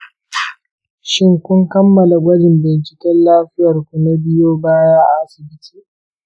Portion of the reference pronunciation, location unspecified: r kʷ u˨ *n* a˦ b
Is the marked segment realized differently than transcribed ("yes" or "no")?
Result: no